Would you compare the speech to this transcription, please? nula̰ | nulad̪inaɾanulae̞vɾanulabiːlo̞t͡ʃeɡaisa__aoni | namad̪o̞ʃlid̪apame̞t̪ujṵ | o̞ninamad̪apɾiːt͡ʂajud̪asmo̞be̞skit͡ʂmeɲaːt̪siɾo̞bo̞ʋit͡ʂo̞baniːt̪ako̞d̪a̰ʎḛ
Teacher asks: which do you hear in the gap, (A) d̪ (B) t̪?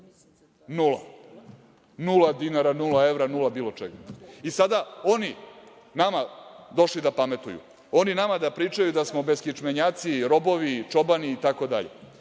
A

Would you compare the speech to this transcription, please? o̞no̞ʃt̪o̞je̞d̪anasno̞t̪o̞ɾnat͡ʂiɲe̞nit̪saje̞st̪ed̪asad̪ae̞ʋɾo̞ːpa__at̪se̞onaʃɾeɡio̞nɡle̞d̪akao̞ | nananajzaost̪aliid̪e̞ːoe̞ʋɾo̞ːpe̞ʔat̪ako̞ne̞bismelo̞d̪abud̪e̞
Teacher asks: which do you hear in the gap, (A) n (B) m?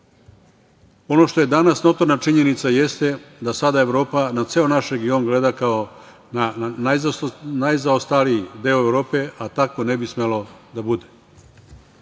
A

